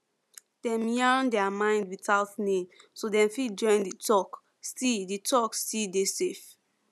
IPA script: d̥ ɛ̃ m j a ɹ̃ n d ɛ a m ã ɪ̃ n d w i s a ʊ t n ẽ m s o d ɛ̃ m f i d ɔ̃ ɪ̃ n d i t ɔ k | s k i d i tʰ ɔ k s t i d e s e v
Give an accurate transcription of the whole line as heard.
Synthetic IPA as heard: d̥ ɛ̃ m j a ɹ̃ n d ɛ a m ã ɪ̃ n d w i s a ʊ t n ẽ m s o d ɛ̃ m f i d͡ʒ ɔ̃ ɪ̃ n d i t ɔ k | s t i d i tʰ ɔ k s t i d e s e f

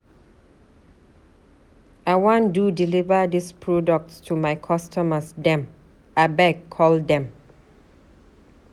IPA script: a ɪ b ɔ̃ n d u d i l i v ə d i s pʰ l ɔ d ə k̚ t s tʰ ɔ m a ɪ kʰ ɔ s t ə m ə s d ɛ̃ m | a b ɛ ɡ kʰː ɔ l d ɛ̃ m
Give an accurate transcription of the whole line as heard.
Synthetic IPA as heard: a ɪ w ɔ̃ n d u d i l i v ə d i s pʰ ɹ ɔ d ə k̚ t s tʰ u m a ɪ kʰ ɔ s t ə m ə s d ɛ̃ m | a b ɛ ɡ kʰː ɔ l d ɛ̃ m

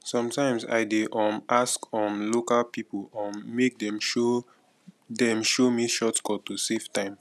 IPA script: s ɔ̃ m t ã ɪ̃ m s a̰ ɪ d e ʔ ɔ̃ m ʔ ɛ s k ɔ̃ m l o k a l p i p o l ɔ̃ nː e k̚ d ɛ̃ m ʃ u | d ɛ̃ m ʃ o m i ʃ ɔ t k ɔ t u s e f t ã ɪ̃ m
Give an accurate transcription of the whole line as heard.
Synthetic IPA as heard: s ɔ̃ m t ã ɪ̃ m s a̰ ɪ d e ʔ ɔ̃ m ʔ a s k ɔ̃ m l o k a l p i p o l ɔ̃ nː e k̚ d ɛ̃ m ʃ o | d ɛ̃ m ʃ o m i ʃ ɔ t k ɔ t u s e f t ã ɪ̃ m

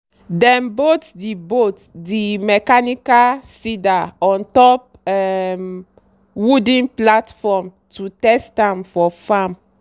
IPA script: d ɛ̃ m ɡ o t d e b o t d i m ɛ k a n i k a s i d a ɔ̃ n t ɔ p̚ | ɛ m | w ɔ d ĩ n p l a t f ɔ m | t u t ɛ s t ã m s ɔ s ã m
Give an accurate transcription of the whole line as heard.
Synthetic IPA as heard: d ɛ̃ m b o t d i b o t d i m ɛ k a n i k a s i d a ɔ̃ n t ɔ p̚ | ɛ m | w u d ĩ n p l a t f ɔ m | t u t ɛ s t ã m f ɔ f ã m

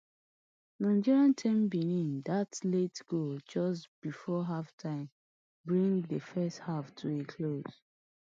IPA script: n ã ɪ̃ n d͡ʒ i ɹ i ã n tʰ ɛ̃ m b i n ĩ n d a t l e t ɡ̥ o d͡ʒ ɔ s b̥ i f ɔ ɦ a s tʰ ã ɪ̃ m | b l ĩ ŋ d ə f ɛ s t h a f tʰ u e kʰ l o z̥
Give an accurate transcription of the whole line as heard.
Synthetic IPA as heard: n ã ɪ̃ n d͡ʒ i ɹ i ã n tʰ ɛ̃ m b i n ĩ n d a t l e t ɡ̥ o d͡ʒ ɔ s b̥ i f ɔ ɦ a f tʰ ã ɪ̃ m | b ɹ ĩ ŋ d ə f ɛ s t h a f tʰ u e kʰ l o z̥

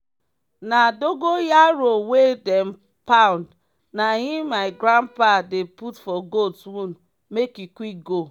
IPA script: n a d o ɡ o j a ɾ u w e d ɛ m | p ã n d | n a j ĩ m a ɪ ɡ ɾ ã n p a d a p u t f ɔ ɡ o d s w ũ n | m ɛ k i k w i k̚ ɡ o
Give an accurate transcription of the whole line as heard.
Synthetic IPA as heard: n a d o ɡ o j a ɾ o w e d ɛ m | p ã n d | n a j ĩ m a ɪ ɡ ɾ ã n p a d e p u t f ɔ ɡ o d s w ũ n | m e k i k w i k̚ ɡ o

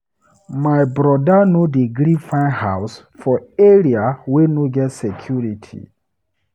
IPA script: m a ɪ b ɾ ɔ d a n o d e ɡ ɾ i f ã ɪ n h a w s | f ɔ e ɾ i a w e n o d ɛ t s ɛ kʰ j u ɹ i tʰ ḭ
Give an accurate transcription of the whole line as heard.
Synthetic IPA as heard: m a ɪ b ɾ ɔ d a n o d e ɡ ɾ i f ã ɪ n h a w s | f ɔ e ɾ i a w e n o ɡ ɛ t s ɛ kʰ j u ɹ i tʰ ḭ

